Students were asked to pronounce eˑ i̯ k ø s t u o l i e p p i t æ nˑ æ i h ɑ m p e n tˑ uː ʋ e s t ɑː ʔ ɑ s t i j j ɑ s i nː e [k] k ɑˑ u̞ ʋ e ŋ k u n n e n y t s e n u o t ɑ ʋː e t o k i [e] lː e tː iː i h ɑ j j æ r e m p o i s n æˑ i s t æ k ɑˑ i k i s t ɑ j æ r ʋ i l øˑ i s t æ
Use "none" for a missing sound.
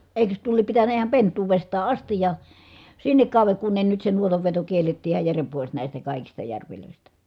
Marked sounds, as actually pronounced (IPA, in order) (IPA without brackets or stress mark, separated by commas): k, e